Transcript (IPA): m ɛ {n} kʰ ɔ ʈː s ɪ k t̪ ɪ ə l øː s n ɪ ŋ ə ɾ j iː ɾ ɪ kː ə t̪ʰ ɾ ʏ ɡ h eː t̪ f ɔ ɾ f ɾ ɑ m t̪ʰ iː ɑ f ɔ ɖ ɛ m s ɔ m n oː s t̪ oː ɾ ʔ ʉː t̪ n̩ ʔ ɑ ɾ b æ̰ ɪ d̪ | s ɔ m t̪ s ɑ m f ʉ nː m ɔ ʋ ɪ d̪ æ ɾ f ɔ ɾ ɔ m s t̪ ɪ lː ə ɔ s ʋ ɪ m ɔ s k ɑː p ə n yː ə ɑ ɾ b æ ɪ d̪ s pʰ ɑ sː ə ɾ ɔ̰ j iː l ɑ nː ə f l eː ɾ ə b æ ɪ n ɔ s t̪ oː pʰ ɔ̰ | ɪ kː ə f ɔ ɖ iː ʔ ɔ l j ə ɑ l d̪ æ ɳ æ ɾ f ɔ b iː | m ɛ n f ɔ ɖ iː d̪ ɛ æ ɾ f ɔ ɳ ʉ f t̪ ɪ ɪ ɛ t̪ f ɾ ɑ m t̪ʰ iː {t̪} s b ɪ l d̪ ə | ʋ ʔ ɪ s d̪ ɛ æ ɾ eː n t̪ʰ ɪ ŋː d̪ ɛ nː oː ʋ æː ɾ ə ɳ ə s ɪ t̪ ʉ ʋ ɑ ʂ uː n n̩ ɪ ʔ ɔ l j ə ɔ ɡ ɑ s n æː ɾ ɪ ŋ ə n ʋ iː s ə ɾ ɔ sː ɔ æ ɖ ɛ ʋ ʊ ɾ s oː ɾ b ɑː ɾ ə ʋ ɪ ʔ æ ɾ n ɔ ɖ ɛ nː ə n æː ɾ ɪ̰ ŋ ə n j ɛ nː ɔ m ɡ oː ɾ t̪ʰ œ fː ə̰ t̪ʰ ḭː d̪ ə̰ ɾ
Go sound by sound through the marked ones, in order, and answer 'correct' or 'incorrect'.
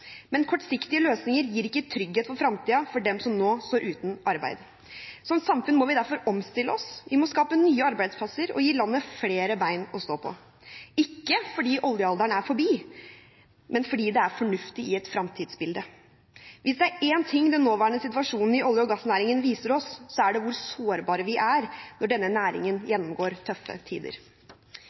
correct, incorrect

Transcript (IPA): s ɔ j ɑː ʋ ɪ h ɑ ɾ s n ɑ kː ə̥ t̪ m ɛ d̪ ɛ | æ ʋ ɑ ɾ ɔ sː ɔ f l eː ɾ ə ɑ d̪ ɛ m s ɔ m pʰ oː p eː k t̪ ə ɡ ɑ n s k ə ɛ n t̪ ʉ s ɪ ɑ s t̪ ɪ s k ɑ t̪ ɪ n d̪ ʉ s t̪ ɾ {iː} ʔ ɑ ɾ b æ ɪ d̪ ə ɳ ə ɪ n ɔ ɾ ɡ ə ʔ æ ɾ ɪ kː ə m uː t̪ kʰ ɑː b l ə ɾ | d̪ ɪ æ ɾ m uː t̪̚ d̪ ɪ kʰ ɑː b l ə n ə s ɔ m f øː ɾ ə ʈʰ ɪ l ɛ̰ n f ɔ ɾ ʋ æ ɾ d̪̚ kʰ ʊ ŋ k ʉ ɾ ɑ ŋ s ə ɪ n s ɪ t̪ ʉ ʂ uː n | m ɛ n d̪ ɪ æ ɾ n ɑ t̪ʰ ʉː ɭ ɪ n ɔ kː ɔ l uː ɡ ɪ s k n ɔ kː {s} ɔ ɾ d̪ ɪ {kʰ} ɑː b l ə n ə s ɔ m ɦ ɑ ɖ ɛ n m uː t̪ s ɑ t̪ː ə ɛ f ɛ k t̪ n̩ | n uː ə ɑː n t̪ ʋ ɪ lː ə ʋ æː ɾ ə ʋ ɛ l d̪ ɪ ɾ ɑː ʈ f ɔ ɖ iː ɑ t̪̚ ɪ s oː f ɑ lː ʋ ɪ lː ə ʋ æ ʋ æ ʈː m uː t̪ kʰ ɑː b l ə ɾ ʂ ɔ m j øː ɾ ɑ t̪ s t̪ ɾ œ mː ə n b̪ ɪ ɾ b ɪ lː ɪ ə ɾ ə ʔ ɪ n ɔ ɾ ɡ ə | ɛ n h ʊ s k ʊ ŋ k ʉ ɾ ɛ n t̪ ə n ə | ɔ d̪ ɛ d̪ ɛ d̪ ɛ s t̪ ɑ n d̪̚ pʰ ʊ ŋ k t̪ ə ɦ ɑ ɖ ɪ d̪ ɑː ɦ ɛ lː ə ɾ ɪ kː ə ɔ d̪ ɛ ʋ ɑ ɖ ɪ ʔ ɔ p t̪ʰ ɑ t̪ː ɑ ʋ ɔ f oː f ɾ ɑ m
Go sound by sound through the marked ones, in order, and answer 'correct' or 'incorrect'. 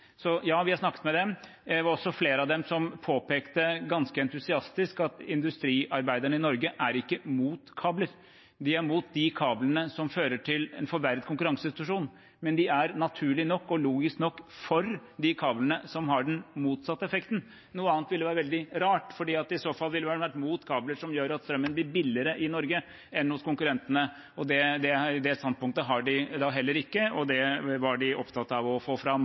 correct, incorrect, correct

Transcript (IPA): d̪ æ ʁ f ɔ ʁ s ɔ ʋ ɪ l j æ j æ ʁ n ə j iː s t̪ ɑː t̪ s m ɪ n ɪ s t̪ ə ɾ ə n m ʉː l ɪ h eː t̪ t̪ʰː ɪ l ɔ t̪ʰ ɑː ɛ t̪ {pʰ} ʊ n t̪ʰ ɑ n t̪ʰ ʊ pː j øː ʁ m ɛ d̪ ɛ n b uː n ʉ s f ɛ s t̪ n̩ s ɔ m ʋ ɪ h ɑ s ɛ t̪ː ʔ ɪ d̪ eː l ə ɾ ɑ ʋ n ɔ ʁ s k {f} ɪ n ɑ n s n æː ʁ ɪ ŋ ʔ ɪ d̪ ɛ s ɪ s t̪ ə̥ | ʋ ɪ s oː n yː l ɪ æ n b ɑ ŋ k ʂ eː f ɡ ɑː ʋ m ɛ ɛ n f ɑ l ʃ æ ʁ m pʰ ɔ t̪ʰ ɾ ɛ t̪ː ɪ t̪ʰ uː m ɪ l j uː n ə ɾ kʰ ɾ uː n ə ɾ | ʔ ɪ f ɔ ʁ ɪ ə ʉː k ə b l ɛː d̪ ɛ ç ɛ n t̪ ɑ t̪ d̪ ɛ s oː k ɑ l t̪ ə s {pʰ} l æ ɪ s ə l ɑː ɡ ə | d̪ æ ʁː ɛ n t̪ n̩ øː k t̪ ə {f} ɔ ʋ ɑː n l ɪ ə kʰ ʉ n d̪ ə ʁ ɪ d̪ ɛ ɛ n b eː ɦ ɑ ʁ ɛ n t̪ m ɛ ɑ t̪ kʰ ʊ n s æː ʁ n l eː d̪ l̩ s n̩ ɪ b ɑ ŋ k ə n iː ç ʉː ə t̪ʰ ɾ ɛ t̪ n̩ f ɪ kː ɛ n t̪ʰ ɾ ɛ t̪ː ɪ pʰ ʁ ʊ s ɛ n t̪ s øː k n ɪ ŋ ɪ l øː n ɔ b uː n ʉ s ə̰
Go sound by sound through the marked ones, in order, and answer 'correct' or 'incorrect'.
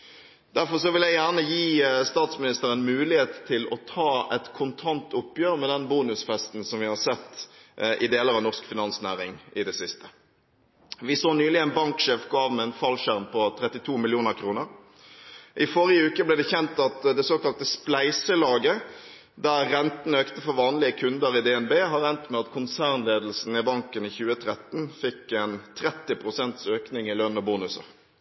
incorrect, correct, incorrect, correct

